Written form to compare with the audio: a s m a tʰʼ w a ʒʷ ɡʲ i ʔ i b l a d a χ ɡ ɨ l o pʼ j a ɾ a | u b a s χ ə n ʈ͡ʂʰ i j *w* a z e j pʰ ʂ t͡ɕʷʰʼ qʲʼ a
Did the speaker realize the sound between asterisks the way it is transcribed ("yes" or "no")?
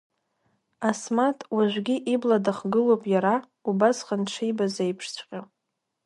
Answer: no